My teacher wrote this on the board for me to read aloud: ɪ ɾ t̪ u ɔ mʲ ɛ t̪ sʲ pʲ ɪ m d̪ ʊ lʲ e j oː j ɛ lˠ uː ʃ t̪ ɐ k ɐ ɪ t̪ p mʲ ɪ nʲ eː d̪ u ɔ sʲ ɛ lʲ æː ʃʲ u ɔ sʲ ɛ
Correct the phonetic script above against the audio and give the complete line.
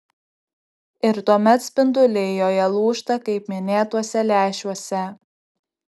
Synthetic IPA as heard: ɪ ɾ t̪ u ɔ mʲ ɛ t̪ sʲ pʲ ɪ n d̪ ʊ lʲ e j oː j ɛ lˠ uː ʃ t̪ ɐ k ɐ ɪ p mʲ ɪ nʲ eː t̪ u ɔ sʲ ɛ lʲ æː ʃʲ u ɔ sʲ ɛ